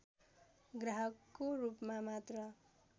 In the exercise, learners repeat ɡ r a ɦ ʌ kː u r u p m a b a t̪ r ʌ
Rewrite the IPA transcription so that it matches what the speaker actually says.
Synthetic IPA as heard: ɡ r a ɦ ʌ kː o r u p m a m a t̪ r ʌ